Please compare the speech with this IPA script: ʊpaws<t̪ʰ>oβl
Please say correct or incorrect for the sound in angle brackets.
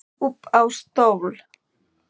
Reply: incorrect